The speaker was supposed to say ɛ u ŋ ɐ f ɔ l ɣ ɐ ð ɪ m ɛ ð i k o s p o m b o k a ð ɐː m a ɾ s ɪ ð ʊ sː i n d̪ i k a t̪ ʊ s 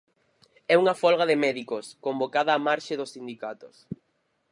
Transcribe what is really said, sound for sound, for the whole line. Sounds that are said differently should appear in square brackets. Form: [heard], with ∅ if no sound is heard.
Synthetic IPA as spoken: ɛ u ŋ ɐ f ɔ l ɣ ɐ ð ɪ m ɛ ð i k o s [k] o m b o k a ð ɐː m a ɾ [ʃ] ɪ ð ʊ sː i n d̪ i k a t̪ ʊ s